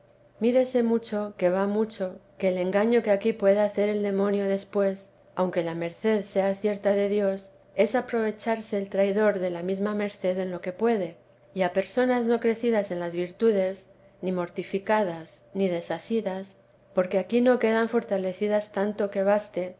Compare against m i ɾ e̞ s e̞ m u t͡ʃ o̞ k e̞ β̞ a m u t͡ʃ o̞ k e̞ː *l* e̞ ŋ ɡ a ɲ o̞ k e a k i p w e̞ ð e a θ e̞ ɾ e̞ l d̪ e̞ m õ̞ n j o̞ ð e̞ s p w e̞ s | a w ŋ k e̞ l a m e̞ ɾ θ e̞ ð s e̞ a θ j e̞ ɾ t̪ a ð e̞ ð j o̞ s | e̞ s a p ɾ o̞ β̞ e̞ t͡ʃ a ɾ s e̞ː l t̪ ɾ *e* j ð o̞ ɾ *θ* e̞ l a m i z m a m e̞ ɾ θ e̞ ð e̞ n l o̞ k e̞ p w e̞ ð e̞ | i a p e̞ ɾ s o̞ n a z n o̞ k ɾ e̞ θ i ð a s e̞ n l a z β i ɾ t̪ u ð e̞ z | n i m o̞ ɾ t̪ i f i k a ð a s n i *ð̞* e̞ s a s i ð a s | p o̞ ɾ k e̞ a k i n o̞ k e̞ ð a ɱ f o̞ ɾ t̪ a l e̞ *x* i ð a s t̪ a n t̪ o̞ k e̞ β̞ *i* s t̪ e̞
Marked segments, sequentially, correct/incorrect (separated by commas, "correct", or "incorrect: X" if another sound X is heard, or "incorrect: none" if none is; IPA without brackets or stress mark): correct, incorrect: a, incorrect: ð, correct, incorrect: θ, incorrect: a